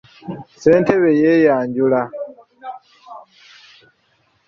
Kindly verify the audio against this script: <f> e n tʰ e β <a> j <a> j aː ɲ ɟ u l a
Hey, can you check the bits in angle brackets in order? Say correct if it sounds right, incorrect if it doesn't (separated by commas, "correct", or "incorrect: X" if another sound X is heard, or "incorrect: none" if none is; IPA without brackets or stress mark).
incorrect: s, incorrect: e, incorrect: e